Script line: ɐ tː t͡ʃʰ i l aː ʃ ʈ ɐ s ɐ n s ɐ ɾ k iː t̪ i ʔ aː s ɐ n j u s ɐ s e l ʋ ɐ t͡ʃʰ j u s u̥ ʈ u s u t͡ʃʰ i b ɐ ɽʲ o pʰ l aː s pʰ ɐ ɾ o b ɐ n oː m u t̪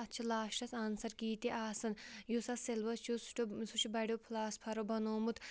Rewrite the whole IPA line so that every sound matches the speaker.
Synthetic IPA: ɐ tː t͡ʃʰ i l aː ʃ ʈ ɐ s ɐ n s ɐ ɾ k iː t̪ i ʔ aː s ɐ n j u s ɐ s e l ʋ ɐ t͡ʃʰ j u s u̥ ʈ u s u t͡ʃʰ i b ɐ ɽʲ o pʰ l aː s pʰ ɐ ɾ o b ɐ n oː m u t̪